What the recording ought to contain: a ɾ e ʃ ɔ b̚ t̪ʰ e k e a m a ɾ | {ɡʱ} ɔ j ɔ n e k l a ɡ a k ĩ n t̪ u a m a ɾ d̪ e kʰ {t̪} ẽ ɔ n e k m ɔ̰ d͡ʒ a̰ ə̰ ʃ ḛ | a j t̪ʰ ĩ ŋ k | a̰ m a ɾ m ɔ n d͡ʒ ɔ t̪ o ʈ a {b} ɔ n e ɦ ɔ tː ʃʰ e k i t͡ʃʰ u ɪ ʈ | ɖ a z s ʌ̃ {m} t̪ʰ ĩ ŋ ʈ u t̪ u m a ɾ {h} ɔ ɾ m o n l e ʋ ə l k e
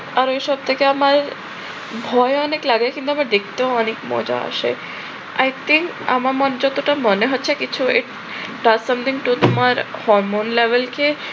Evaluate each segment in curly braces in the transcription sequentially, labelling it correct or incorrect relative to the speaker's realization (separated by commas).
incorrect, correct, incorrect, correct, correct